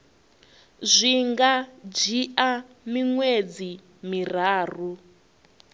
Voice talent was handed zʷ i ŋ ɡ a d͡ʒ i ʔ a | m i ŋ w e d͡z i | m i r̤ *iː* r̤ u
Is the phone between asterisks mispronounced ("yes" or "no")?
yes